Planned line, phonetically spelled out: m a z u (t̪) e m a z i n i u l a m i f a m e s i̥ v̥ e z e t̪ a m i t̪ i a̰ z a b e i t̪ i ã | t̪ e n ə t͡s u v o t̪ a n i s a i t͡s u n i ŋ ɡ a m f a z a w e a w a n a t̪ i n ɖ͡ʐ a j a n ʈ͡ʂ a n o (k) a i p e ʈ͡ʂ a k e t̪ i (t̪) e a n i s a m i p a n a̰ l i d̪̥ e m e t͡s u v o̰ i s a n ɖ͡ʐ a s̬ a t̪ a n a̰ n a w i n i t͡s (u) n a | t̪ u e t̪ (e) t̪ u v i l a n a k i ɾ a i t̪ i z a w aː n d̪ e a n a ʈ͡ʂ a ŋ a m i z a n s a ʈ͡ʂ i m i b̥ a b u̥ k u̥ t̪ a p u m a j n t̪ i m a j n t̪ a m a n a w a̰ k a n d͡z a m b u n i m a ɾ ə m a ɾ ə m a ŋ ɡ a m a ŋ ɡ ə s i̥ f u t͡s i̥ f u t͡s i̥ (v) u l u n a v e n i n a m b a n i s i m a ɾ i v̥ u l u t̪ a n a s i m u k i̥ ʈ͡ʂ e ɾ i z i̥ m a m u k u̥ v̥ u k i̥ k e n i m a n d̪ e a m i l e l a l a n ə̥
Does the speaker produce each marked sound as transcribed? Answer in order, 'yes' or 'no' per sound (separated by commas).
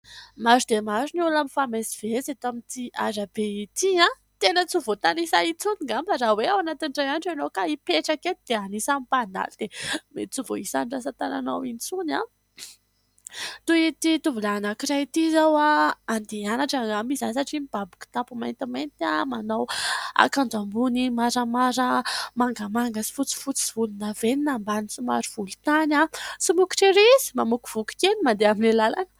no, yes, no, yes, no, yes